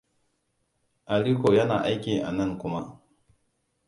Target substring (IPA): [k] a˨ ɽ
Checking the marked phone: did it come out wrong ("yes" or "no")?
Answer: yes